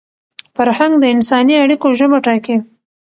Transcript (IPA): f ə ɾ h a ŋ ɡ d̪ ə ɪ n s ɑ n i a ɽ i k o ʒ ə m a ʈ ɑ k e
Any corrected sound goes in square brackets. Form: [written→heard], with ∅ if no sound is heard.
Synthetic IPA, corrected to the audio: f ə ɾ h a ŋ ɡ d̪ ə ɪ n s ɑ n i a ɽ i k o ʒ ə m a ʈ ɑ k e